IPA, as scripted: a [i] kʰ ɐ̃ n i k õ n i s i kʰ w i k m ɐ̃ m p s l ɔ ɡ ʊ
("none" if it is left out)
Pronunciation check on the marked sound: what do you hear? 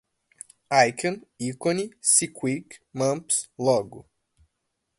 j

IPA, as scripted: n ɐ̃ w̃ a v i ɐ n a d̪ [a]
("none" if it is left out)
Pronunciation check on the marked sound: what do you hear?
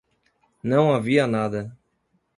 ɐ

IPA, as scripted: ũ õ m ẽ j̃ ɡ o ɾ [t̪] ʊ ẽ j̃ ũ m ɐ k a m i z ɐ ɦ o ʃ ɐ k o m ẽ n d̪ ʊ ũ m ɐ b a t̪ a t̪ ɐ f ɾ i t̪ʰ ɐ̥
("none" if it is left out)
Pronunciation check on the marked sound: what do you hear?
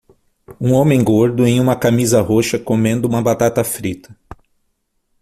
d̪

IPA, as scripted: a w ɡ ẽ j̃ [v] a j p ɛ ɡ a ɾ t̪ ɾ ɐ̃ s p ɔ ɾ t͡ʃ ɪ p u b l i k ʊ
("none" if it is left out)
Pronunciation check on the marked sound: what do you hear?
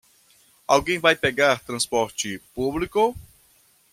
v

